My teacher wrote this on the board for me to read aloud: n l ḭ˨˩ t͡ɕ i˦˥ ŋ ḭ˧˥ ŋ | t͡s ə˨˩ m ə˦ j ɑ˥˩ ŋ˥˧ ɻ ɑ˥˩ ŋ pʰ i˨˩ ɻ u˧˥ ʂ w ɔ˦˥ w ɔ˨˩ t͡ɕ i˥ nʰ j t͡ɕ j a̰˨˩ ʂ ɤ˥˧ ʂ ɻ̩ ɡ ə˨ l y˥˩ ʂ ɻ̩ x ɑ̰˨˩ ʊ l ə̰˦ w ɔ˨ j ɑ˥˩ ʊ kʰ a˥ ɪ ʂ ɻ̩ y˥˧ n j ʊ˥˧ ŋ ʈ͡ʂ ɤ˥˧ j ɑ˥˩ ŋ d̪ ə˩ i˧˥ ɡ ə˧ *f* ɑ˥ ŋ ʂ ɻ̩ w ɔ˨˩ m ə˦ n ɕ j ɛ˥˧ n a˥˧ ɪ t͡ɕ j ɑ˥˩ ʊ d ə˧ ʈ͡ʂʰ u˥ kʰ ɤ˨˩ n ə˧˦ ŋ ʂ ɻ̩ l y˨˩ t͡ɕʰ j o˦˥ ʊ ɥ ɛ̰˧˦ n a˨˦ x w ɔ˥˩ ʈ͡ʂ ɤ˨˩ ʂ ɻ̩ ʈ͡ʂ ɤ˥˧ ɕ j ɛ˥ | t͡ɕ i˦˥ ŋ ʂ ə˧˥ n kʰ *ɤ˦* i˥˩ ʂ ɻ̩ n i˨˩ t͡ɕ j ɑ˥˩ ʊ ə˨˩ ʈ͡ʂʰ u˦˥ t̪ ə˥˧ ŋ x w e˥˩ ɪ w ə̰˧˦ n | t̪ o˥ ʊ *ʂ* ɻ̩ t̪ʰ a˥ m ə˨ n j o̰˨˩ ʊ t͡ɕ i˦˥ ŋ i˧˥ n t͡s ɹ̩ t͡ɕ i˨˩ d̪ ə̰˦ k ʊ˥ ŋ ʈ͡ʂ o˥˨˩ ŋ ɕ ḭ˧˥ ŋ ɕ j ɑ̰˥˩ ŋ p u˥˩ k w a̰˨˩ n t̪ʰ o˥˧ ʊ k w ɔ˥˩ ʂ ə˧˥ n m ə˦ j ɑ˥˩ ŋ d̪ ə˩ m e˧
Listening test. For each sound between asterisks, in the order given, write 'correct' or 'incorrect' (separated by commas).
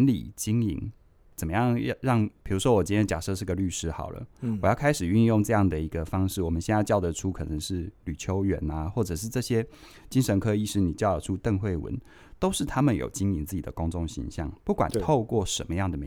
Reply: correct, correct, correct